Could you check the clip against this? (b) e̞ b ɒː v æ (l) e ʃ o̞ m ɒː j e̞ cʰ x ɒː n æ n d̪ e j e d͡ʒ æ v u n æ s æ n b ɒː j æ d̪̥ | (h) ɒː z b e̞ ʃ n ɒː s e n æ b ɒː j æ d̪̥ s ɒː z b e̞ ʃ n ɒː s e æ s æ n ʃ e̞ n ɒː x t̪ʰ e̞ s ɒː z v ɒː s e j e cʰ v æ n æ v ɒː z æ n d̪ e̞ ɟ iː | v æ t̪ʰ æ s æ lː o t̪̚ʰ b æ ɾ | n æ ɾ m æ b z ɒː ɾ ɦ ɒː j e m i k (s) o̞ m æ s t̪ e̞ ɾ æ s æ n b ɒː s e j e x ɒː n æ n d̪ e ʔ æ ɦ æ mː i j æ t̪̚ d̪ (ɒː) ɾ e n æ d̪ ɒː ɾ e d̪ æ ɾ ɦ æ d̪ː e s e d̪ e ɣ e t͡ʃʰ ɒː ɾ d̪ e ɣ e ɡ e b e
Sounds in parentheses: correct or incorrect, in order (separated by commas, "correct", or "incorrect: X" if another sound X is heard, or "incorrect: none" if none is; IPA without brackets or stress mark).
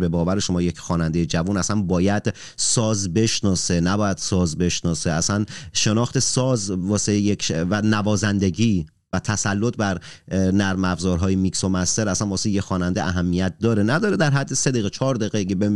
correct, incorrect: ɾ, incorrect: s, correct, correct